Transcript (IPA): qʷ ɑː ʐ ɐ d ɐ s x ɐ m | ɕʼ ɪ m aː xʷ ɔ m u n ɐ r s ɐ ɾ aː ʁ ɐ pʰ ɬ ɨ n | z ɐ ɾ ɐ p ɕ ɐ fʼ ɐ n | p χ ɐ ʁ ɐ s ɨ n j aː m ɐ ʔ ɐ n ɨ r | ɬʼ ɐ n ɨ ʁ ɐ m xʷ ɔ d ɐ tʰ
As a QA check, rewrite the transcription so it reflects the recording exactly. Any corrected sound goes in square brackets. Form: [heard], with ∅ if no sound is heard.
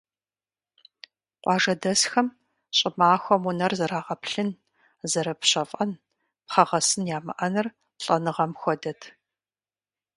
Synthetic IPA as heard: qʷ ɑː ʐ ɐ d ɐ s x ɐ m | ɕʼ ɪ m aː xʷ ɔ m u n ɐ r [z] ɐ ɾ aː ʁ ɐ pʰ ɬ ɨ n | z ɐ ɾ ɐ p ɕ ɐ fʼ ɐ n | p χ ɐ ʁ ɐ s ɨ n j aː m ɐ ʔ ɐ n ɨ r | ɬʼ ɐ n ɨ ʁ ɐ m xʷ ɔ d ɐ tʰ